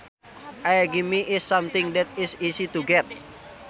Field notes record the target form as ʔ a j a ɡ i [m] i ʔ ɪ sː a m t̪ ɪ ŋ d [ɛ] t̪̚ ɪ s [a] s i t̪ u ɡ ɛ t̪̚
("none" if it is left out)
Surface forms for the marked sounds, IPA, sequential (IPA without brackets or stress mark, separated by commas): m, ɛ, i